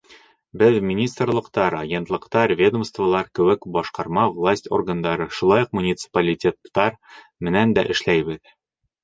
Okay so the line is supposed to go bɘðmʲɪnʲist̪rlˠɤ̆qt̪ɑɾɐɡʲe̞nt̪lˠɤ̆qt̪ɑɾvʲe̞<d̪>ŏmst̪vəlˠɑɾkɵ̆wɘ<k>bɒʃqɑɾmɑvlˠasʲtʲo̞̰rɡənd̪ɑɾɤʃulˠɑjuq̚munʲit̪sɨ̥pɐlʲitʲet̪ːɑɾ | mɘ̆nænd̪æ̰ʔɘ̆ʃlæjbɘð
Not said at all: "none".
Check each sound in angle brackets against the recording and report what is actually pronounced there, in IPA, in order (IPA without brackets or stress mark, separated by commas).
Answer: d̪, k